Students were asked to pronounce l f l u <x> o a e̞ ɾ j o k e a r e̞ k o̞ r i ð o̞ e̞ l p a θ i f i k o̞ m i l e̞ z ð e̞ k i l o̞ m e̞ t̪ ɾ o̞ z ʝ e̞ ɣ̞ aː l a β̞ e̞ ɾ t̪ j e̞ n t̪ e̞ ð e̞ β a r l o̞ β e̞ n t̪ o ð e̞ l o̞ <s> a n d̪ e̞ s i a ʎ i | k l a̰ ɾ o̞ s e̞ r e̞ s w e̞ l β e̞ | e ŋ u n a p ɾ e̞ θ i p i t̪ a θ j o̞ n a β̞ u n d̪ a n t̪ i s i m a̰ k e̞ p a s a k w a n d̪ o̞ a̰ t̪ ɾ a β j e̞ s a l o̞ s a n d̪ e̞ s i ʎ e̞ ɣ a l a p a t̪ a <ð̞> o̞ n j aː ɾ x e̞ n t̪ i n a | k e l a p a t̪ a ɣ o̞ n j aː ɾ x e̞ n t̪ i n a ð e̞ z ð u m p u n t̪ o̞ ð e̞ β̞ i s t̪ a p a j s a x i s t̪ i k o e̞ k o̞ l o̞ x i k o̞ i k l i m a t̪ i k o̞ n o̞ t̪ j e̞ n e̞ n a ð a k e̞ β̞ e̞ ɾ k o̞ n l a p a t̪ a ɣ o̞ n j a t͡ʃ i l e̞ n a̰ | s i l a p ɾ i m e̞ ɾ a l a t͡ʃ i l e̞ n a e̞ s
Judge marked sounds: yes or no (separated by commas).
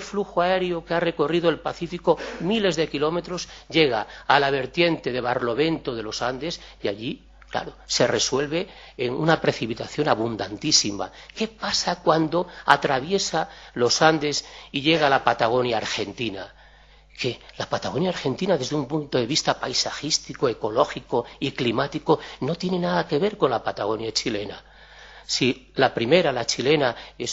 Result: yes, yes, no